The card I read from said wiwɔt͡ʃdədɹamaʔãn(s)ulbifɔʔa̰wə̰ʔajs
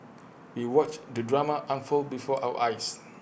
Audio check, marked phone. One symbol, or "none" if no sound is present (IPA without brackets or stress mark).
f